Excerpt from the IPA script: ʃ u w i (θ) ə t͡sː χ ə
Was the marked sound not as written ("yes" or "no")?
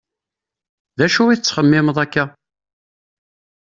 no